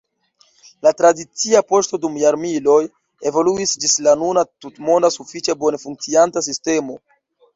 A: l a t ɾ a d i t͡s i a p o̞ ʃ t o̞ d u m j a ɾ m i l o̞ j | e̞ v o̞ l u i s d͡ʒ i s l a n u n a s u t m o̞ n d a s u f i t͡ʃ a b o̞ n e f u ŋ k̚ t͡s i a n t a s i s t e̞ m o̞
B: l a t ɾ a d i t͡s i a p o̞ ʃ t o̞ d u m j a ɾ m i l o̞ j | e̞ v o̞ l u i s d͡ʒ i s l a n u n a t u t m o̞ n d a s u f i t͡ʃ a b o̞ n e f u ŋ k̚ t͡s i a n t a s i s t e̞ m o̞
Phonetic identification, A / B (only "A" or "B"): B